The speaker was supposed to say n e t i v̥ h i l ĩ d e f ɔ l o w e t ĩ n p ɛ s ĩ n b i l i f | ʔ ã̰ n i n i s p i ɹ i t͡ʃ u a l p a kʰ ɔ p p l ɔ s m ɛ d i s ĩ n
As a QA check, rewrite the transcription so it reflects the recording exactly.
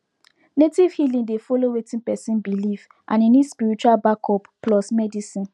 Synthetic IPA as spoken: n e t i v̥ h i l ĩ d e f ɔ l o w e t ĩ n p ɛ s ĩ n b i l i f | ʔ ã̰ n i n i s p i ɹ i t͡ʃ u a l b a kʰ ɔ p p l ɔ s m ɛ d i s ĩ n